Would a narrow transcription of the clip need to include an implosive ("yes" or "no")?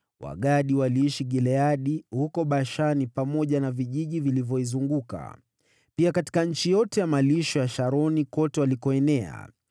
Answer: yes